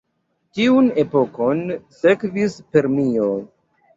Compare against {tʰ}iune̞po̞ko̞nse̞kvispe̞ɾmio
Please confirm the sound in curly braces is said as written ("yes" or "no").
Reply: no